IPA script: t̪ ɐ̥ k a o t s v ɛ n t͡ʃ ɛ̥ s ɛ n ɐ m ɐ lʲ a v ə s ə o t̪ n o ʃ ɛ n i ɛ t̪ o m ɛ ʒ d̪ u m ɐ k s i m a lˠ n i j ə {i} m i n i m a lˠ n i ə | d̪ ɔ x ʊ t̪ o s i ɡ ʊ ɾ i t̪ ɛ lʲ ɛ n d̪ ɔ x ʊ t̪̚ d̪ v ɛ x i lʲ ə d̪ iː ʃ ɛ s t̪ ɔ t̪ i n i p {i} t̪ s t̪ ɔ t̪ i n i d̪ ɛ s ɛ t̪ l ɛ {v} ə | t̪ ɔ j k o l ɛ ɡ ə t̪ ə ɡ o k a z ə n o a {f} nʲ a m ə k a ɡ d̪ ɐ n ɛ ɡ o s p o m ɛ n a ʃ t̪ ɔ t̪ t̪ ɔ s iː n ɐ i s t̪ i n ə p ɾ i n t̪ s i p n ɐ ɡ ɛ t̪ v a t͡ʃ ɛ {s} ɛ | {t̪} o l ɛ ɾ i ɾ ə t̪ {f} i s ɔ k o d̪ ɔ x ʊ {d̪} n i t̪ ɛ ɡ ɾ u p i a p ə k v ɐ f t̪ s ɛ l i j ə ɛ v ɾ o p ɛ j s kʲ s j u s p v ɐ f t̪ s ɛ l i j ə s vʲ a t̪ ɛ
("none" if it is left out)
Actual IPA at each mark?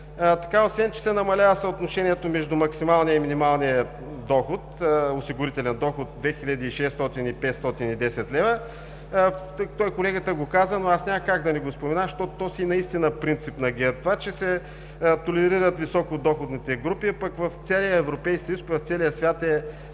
i, ɛ, v, s, s, t̪, v, d̪

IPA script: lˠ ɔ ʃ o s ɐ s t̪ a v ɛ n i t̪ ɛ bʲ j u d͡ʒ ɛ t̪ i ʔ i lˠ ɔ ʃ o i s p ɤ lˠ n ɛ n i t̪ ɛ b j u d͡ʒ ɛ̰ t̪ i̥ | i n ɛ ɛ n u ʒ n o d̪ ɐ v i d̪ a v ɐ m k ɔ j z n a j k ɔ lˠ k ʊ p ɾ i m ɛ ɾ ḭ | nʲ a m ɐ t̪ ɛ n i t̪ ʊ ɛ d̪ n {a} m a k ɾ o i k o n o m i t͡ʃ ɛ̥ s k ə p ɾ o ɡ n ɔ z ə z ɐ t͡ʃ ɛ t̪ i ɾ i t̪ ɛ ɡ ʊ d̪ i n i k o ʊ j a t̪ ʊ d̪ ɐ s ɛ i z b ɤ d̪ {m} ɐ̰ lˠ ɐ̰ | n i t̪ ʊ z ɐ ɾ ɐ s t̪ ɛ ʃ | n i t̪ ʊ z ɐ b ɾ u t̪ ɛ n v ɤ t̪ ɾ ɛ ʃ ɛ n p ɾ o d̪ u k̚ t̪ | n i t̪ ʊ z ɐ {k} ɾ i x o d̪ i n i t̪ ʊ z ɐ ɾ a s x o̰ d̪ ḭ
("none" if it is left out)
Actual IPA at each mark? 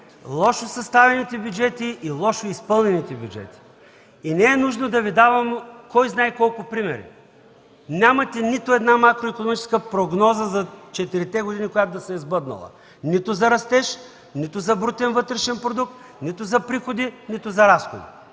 a, n, p

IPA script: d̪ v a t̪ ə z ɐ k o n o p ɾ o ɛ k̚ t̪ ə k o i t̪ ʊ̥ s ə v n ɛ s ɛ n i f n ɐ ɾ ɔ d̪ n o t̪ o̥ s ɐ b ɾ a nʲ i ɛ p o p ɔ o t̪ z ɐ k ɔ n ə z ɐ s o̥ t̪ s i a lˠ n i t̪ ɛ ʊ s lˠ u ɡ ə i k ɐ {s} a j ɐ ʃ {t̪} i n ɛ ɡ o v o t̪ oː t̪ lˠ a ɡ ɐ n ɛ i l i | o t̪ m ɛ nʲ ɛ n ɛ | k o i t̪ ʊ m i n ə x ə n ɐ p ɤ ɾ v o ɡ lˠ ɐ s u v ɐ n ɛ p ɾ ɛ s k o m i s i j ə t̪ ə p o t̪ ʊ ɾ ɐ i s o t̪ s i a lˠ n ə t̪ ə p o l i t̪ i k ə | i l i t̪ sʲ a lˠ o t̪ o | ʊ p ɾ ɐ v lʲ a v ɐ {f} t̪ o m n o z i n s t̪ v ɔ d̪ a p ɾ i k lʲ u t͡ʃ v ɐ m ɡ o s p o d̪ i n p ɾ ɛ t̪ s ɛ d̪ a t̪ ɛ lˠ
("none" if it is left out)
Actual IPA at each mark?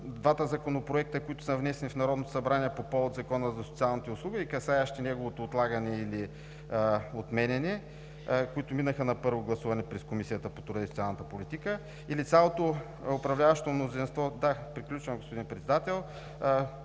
s, t̪, ʃ

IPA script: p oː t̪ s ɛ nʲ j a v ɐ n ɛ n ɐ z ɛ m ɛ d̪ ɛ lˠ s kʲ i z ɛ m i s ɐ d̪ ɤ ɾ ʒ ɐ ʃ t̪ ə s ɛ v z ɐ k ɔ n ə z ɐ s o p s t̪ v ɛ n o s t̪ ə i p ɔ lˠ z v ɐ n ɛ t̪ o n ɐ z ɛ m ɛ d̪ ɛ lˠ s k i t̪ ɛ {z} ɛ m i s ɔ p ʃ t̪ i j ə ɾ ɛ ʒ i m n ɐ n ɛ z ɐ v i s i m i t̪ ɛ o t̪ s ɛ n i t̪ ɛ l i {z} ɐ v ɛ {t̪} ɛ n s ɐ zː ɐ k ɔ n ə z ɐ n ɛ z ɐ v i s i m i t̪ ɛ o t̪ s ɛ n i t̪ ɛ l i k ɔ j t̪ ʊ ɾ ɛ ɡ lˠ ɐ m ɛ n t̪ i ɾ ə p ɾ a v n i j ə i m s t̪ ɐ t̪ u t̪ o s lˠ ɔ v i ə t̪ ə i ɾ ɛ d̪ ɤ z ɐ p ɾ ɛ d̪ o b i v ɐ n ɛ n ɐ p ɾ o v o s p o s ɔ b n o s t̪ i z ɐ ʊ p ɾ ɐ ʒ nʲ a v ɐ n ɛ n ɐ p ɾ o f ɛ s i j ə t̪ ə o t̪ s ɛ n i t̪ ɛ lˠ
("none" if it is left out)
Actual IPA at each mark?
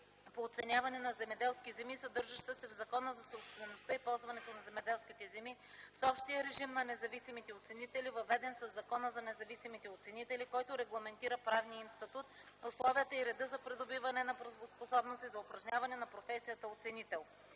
z, v, d̪

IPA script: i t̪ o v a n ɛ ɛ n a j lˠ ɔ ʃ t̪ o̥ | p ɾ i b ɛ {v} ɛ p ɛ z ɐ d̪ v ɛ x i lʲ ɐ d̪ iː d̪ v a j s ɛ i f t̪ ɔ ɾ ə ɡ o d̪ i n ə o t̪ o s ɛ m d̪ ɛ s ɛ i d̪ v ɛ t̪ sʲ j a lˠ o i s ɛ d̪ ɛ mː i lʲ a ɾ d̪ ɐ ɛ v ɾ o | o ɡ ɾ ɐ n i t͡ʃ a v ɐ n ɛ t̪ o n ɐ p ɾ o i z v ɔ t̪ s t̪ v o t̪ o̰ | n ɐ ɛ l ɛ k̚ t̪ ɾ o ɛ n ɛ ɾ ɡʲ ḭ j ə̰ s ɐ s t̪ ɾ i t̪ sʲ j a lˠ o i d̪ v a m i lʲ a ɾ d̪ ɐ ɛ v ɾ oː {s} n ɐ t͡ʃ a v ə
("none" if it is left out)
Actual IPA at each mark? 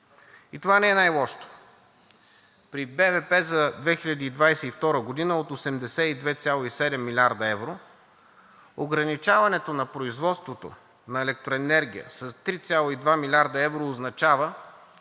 v, z

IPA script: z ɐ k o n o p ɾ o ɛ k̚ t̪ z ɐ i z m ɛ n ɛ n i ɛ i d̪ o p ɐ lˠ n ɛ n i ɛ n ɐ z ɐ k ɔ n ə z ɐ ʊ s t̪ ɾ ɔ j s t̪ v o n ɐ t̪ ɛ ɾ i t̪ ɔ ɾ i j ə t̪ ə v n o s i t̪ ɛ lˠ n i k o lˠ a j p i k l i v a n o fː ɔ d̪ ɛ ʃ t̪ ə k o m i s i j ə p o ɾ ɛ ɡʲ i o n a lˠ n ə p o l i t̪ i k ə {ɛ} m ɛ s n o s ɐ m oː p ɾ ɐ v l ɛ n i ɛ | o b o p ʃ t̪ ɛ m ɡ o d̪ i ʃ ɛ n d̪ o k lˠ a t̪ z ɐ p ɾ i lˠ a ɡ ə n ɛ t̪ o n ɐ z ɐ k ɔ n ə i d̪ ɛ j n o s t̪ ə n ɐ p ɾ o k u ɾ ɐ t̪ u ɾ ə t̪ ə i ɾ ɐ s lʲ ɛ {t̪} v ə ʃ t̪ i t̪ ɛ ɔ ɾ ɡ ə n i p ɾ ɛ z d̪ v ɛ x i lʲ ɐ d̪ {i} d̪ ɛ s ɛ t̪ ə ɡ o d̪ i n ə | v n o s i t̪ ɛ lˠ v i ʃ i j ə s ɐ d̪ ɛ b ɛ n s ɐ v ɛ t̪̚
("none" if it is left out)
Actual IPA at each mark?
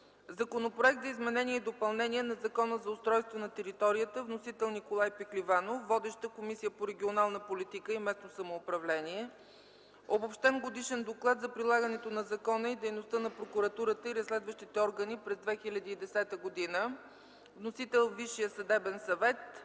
i, d̪, iː

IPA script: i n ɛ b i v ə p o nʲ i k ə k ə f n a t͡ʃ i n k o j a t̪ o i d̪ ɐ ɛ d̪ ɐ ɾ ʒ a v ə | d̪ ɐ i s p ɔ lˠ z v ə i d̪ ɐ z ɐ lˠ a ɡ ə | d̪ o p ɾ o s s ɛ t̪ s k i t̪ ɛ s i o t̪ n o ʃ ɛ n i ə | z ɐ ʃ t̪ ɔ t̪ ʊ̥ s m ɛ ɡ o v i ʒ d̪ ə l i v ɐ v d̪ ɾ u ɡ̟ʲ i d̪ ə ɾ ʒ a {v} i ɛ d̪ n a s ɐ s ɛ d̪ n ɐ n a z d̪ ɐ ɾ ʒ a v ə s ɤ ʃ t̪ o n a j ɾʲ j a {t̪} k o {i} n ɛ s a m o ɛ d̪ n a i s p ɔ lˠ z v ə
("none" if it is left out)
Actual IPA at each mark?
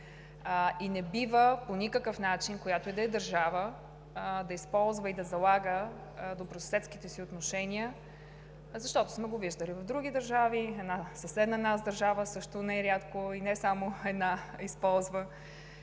v, t̪, i

